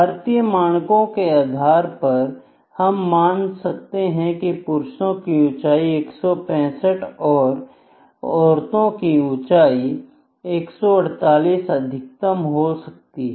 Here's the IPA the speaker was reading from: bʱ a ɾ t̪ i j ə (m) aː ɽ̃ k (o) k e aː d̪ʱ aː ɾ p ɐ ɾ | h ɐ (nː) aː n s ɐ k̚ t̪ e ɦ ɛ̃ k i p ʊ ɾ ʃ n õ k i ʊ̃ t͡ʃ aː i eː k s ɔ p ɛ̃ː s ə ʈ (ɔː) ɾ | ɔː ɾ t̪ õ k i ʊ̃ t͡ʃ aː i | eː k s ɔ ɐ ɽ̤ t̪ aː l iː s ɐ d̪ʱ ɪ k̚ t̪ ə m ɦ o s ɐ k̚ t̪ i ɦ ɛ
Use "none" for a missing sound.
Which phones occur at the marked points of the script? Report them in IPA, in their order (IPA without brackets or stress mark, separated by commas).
m, õ, mː, ɔː